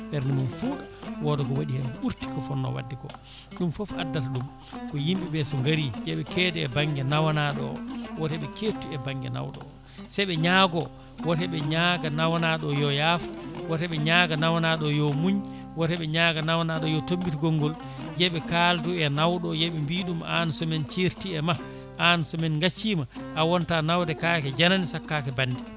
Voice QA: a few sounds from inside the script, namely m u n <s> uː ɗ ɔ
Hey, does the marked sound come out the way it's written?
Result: no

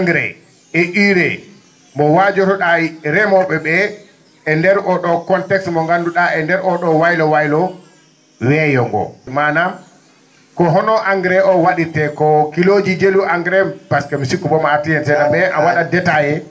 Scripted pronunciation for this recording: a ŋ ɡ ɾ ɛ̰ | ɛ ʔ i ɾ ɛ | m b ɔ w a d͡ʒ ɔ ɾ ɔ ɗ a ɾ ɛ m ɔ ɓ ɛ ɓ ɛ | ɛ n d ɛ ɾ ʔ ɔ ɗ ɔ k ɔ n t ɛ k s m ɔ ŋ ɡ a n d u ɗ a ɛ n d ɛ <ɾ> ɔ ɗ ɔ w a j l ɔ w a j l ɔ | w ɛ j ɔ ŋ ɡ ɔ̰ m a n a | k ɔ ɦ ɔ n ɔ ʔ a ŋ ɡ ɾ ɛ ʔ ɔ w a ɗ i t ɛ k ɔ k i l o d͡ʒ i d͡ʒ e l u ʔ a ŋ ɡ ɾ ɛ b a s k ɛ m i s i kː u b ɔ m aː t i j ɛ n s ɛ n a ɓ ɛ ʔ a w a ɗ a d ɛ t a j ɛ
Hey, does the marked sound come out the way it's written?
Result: yes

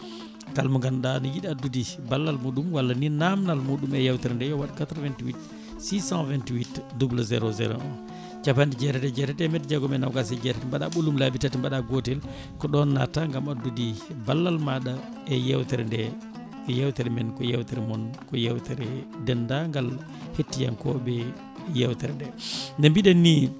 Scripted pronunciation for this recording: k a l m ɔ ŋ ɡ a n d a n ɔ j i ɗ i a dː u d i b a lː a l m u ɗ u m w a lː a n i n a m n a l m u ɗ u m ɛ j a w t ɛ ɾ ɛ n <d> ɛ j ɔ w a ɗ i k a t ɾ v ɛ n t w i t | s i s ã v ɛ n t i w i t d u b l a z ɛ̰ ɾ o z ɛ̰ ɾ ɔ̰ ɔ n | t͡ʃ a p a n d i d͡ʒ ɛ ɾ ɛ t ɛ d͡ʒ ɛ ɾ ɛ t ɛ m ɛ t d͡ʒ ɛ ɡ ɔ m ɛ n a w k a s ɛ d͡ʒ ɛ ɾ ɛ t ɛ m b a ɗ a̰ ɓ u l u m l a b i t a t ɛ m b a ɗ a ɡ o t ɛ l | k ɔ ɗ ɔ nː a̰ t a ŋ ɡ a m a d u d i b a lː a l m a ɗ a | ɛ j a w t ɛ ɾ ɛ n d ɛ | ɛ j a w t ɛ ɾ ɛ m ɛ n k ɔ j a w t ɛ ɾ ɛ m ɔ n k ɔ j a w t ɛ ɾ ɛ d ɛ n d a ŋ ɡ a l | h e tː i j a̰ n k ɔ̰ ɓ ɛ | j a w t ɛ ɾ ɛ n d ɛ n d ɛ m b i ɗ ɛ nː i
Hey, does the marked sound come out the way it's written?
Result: yes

